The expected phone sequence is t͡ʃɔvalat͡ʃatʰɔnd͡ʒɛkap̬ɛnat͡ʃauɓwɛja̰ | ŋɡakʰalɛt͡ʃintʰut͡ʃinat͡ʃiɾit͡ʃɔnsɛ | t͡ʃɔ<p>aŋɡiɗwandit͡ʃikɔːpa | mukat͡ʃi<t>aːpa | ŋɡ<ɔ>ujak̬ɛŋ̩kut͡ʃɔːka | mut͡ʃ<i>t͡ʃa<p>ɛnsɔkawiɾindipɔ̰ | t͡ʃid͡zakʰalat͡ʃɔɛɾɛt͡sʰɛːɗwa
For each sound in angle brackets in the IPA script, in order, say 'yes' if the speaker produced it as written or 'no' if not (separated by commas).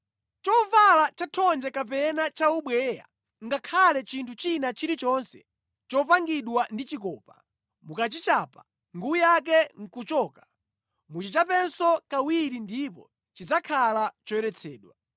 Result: yes, no, no, yes, yes